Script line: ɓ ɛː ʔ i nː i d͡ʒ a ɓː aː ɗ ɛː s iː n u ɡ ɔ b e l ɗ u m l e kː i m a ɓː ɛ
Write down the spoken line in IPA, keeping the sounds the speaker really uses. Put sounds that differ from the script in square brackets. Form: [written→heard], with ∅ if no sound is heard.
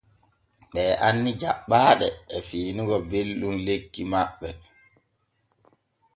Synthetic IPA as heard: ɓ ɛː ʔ [i→a] nː i d͡ʒ a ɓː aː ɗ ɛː [s→f] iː n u ɡ ɔ b e l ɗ u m l e kː i m a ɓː ɛ